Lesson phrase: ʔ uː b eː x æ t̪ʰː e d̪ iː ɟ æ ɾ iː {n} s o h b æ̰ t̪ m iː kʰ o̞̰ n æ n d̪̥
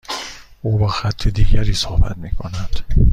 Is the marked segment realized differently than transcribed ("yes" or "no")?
yes